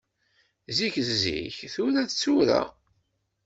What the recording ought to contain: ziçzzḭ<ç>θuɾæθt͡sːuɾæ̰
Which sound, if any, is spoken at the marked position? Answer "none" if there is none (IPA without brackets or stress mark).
ç